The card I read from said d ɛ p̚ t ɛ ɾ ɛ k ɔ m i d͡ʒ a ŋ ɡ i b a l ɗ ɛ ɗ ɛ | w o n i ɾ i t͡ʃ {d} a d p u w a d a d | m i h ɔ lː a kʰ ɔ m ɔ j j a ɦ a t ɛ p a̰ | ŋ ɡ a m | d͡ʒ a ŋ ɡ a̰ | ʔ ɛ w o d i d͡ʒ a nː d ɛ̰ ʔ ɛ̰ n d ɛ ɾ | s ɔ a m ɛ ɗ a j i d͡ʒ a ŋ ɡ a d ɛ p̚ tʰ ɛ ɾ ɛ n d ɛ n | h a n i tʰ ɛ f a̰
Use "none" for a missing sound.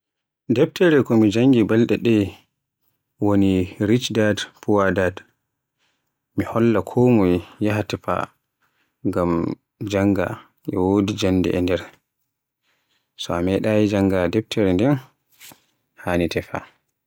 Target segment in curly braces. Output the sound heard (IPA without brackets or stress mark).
d